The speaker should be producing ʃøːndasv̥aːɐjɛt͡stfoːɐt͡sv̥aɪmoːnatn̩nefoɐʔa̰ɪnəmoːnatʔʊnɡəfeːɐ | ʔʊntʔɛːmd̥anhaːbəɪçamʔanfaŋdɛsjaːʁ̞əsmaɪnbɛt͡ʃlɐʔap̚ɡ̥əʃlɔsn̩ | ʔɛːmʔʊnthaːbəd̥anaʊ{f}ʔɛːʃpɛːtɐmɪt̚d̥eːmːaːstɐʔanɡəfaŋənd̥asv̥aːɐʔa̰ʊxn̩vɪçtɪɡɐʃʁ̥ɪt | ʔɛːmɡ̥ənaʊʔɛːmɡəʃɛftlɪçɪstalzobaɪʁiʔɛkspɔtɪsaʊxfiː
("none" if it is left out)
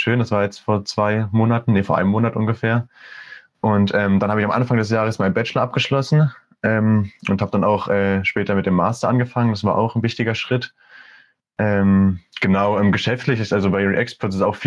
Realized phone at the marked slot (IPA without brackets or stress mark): x